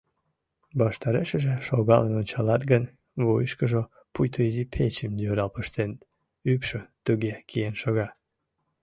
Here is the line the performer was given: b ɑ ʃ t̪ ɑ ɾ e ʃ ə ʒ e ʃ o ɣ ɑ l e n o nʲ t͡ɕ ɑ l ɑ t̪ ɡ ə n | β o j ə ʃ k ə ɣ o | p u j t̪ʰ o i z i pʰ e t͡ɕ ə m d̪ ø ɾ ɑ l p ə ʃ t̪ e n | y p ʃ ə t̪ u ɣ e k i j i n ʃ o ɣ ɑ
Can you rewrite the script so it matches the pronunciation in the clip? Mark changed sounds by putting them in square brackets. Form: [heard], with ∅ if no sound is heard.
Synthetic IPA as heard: b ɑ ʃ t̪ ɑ ɾ e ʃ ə ʒ e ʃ o ɣ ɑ l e n o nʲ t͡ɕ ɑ l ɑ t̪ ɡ ə n | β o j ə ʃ k ə [ʒ] o | p u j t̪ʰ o i z i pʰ e t͡ɕ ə m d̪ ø ɾ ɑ l p ə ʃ t̪ e n | y p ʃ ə t̪ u ɣ e k i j [e] n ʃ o ɣ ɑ